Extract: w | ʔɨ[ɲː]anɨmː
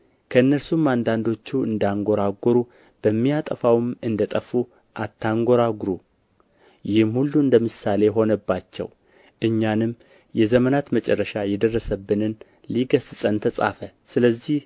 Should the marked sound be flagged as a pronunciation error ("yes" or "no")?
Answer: no